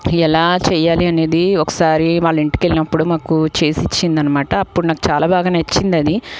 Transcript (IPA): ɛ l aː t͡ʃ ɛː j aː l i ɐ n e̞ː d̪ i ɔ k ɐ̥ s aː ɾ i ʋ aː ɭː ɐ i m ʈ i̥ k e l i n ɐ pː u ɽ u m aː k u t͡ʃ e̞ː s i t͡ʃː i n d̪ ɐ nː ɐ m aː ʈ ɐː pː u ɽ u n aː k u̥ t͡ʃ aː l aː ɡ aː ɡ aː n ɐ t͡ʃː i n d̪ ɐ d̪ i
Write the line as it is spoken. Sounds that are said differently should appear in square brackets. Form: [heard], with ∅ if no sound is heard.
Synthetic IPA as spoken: ɛ l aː t͡ʃ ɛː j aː l i ɐ n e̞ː d̪ i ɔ k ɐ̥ s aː ɾ i ʋ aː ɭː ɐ i [ɳ] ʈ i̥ k e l i n ɐ pː u ɽ u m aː k u t͡ʃ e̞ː s i t͡ʃː i n d̪ ɐ nː ɐ m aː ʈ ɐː pː u ɽ u n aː k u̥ t͡ʃ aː l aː [b] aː ɡ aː n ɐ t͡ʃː i n d̪ ɐ d̪ i